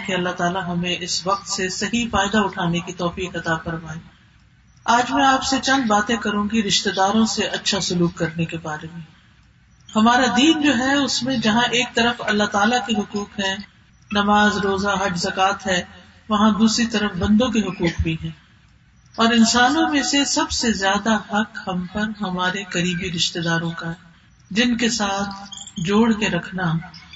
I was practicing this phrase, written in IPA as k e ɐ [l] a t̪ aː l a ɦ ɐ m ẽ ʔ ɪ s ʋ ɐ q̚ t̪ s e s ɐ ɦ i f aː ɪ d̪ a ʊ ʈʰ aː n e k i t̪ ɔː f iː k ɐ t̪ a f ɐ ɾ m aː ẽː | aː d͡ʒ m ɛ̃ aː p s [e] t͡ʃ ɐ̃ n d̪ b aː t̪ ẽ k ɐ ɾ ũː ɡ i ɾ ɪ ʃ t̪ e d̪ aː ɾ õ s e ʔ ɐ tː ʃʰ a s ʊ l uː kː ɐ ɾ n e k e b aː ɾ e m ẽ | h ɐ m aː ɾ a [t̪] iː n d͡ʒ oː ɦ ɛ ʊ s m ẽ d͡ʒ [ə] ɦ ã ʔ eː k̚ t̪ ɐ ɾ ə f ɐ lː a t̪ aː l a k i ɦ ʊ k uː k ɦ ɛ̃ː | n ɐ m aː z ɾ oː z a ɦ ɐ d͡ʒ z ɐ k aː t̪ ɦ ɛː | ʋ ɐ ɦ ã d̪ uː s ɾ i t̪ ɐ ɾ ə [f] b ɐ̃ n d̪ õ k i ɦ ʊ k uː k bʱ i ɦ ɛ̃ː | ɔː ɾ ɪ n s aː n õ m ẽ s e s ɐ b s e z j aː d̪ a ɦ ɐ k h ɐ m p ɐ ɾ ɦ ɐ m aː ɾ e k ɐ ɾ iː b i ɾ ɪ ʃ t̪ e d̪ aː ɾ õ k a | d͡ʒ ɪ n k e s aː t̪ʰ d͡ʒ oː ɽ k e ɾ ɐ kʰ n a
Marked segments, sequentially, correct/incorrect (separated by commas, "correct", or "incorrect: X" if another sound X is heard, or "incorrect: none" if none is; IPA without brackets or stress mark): incorrect: lː, correct, incorrect: d̪, incorrect: ɐ, correct